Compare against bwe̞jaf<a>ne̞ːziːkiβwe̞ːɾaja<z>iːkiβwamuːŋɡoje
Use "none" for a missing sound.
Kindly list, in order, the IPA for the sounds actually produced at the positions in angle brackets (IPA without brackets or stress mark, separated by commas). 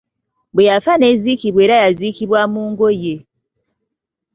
a, z